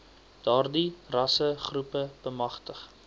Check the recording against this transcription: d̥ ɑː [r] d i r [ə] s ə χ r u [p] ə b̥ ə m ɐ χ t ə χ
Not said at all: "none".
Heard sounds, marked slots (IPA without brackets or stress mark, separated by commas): r, ɐ, p